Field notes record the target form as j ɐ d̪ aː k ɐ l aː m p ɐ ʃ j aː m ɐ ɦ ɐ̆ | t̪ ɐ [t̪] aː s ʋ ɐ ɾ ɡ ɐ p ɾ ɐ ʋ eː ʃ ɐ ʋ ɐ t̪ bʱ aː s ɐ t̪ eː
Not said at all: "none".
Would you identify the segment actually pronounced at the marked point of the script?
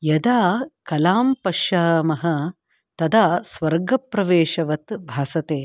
d̪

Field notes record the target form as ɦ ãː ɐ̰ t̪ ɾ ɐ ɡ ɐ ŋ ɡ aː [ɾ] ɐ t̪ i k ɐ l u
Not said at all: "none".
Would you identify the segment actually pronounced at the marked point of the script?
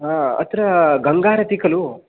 ɾ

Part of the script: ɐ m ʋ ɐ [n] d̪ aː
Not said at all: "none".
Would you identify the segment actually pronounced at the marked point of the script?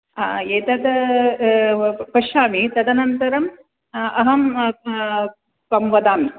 none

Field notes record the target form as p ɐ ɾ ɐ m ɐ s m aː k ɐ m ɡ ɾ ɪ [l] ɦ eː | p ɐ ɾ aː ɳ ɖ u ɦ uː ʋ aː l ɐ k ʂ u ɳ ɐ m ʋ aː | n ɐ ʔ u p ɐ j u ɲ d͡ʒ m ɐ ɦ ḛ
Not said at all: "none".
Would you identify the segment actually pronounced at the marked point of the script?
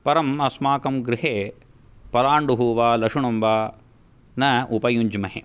none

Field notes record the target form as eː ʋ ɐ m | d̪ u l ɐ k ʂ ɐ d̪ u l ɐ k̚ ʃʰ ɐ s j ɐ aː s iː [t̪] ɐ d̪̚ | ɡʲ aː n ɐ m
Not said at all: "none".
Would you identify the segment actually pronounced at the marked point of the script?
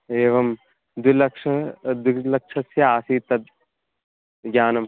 t̪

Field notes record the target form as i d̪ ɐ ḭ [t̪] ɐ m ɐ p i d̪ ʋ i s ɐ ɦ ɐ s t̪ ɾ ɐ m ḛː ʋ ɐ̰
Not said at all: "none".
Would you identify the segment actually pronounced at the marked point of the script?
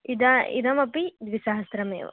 d̪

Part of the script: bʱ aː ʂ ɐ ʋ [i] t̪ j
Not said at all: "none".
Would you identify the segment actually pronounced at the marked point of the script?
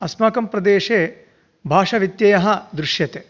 i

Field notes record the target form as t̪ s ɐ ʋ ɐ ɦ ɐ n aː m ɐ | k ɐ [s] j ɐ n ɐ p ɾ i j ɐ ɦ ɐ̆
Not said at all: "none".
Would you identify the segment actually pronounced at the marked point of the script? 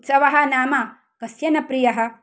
s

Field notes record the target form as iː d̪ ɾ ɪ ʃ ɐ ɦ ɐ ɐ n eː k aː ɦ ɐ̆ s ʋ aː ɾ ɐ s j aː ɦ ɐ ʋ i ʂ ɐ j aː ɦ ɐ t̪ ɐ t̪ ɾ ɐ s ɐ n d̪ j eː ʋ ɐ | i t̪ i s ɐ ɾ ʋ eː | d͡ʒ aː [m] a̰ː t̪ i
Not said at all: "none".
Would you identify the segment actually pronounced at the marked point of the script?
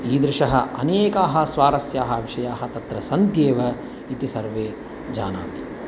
n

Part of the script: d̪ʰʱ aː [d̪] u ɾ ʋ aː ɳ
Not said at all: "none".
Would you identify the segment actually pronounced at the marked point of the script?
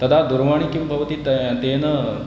d̪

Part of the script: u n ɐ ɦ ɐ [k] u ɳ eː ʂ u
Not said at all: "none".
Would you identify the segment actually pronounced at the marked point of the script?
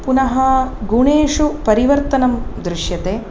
ɡ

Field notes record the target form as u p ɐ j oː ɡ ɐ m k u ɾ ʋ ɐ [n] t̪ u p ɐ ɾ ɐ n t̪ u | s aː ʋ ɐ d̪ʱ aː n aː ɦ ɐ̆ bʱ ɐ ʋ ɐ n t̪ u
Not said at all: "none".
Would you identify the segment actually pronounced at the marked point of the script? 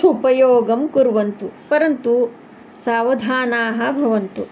n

